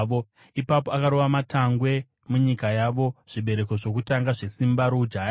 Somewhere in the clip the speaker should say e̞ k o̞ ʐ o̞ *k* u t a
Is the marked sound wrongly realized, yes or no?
no